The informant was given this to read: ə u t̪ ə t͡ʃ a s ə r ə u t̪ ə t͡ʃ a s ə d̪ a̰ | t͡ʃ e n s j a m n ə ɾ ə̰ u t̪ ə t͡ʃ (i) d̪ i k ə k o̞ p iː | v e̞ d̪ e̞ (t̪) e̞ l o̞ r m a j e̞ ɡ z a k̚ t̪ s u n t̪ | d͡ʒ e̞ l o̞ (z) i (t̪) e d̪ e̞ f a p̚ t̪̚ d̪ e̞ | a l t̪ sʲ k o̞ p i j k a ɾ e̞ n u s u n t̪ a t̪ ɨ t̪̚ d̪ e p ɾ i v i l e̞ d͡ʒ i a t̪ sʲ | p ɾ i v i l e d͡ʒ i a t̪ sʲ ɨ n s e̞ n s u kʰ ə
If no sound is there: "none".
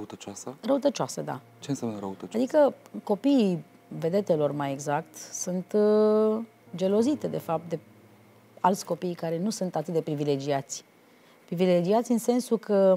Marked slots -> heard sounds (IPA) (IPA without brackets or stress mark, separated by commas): a, t̪, z, t̪